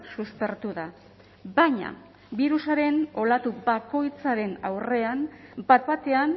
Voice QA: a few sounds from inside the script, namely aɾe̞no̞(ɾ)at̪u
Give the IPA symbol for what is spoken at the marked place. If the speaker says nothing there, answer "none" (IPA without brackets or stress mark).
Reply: l